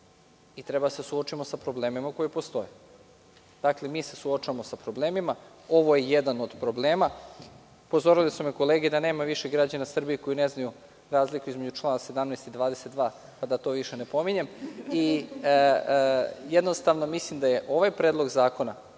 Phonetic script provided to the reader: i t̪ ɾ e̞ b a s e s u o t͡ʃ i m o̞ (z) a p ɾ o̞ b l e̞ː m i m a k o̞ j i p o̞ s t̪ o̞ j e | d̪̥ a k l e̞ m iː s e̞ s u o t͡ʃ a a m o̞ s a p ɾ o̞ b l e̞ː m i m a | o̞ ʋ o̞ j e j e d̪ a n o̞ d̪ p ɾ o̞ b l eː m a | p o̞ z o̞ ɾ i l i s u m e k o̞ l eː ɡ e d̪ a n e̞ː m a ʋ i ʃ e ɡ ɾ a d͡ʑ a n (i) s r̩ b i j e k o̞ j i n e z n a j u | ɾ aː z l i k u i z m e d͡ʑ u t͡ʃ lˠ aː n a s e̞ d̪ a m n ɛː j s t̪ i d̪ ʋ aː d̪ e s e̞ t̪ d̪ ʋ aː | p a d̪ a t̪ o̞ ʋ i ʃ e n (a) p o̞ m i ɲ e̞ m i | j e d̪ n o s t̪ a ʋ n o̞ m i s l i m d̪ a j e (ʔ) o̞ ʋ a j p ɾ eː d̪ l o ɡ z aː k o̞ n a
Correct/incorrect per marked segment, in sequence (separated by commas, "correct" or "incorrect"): incorrect, incorrect, incorrect, correct